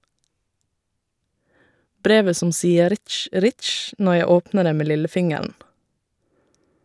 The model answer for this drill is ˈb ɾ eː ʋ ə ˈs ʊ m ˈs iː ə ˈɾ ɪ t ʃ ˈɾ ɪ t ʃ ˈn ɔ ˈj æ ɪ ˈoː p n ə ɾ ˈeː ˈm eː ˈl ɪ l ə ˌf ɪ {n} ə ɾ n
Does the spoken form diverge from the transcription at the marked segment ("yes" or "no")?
yes